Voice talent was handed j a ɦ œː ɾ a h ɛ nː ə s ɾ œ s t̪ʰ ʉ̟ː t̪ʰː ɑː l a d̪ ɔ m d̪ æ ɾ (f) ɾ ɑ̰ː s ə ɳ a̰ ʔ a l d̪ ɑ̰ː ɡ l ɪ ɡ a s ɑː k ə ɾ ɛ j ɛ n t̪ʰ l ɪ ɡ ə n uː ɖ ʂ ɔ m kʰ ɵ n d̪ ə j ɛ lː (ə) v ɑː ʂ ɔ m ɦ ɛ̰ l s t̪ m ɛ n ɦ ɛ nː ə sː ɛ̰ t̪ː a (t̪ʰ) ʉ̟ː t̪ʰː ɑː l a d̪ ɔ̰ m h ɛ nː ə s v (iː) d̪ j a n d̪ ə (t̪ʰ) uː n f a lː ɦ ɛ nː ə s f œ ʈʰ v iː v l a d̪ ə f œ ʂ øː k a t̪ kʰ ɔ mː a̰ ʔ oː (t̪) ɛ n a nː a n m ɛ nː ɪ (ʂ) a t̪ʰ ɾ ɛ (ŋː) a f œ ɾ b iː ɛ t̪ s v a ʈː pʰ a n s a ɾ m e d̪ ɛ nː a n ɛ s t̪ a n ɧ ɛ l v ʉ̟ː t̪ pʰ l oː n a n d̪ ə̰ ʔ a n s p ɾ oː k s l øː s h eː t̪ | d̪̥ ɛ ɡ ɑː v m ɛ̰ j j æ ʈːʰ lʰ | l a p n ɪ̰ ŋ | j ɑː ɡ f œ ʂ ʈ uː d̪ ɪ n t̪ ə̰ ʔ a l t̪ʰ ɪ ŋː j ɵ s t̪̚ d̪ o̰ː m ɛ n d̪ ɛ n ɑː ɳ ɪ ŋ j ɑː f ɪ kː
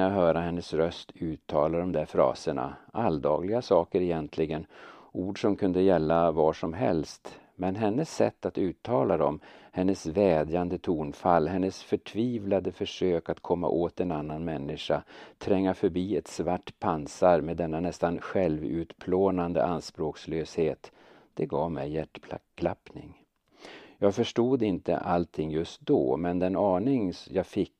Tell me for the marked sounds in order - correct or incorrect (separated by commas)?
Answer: correct, incorrect, incorrect, incorrect, correct, correct, correct, correct